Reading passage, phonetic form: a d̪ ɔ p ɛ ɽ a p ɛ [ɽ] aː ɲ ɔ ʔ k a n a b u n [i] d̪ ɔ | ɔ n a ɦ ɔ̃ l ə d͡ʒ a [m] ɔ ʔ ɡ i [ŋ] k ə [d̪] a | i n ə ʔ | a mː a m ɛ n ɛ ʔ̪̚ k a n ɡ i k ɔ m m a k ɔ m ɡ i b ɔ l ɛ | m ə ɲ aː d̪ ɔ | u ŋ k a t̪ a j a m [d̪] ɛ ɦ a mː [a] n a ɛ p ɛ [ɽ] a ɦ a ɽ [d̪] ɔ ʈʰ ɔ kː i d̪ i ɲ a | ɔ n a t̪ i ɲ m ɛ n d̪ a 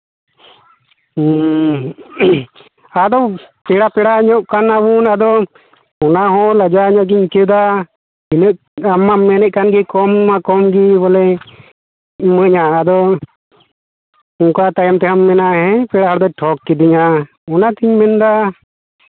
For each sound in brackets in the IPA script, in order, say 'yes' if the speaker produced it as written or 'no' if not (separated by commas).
yes, no, no, no, yes, no, no, yes, yes